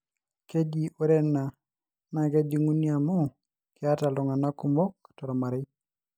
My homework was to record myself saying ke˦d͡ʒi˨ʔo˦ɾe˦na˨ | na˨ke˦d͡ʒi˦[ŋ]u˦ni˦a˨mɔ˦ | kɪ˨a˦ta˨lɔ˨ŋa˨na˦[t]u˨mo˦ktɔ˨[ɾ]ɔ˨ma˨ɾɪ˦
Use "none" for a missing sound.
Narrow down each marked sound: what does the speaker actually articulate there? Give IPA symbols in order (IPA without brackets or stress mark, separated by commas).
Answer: ŋ, k, ɾ